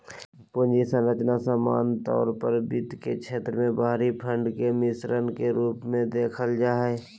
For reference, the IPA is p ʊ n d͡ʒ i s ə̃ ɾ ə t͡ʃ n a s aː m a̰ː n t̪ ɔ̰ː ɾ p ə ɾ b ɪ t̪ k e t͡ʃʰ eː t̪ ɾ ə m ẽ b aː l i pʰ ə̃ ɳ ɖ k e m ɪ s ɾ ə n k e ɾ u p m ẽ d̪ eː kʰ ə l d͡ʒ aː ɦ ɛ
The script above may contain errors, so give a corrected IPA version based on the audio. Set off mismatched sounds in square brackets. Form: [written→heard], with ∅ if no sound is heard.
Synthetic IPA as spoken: p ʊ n d͡ʒ i s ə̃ ɾ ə t͡ʃ n a s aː m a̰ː n t̪ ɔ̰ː ɾ p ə ɾ b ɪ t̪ k e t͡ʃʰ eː t̪ ɾ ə m ẽ b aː [l→ɾ] i pʰ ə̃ ɳ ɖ k e m ɪ s ɾ ə n k e ɾ [u→uː] p m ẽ d̪ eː kʰ ə l d͡ʒ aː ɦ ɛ

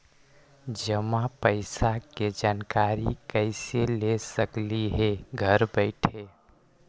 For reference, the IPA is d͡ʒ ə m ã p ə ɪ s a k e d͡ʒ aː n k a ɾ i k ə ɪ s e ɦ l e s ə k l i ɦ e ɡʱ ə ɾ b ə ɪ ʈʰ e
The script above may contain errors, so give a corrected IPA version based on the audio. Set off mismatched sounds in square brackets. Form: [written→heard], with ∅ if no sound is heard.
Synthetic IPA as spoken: d͡ʒ ə m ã p ə ɪ s a k e d͡ʒ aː n k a ɾ i k ə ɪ s e [ɦ→∅] l e s ə k l i ɦ e ɡʱ ə ɾ b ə ɪ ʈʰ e

